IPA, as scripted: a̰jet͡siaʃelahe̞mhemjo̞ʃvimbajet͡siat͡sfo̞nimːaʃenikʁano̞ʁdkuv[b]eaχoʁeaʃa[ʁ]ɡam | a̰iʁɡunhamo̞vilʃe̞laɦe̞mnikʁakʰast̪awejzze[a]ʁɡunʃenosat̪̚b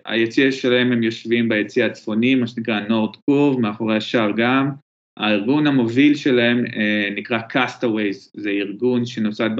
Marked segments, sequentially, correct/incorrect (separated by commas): incorrect, correct, incorrect